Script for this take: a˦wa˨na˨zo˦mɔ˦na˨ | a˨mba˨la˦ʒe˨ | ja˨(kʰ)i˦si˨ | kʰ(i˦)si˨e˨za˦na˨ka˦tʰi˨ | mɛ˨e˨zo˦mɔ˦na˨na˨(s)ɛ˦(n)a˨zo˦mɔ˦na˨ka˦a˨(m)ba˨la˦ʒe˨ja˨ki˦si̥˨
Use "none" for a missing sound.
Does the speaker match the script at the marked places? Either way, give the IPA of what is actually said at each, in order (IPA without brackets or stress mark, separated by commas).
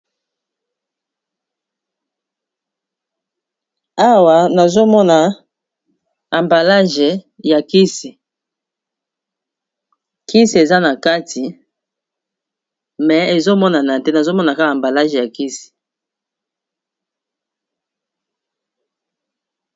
k, i˦, t, n, m